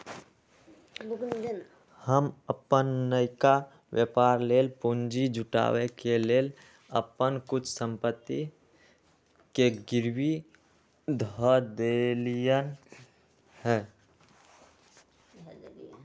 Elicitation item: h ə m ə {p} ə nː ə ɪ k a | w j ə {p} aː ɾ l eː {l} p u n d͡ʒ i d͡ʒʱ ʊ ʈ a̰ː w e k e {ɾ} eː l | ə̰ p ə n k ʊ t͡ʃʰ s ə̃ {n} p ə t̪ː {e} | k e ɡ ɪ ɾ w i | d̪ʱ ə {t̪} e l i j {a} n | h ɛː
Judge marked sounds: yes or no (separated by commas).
yes, yes, yes, no, no, no, no, no